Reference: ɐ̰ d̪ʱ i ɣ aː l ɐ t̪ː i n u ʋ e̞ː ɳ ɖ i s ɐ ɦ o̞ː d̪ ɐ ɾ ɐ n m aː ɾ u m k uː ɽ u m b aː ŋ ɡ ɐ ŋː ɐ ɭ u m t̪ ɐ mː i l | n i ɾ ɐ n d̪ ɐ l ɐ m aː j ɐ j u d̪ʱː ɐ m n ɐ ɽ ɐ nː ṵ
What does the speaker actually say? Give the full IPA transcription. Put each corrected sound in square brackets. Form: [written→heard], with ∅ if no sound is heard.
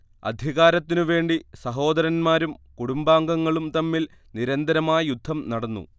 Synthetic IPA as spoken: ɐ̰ d̪ʱ i ɣ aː [l→ɾ] ɐ t̪ː i n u ʋ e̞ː ɳ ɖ i s ɐ ɦ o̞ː d̪ ɐ ɾ ɐ n m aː ɾ u m k [uː→u] ɽ u m b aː ŋ ɡ ɐ ŋː ɐ ɭ u m t̪ ɐ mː i l | n i ɾ ɐ n d̪ ɐ [l→ɾ] ɐ m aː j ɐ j u d̪ʱː ɐ m n ɐ ɽ ɐ nː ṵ